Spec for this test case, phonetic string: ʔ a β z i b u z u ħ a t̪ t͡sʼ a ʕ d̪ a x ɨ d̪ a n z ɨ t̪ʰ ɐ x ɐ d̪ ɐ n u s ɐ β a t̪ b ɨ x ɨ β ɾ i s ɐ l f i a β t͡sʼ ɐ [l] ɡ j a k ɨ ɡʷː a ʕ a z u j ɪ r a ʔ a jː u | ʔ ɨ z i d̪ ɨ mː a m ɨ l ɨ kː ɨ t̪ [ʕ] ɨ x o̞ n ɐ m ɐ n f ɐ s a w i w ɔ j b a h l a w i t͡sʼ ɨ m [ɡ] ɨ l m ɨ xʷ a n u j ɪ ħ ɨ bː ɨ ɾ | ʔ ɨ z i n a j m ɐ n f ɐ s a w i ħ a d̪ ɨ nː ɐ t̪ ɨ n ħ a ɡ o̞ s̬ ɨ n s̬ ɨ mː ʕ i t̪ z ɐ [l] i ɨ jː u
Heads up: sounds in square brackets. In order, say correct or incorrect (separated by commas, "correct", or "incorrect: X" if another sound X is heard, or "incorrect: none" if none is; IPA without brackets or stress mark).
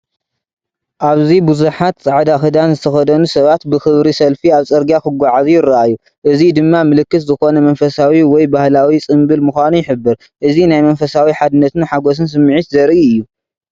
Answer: incorrect: ɾ, incorrect: z, incorrect: b, incorrect: ɾ